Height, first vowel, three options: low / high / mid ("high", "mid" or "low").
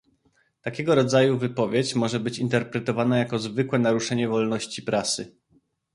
low